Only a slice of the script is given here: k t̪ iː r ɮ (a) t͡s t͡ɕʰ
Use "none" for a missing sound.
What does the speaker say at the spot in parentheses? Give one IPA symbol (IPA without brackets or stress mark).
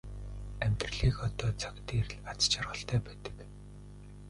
a